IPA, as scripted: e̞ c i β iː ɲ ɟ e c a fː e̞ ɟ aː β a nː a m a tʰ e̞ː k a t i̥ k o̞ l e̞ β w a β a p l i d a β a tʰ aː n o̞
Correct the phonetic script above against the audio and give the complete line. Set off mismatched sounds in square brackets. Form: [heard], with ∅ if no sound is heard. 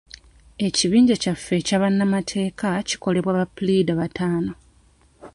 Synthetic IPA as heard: e̞ c i β iː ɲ ɟ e c a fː e̞ [c] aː β a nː a m a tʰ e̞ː k a [c] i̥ k o̞ l e̞ β w a β a p l i d a β a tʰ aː n o̞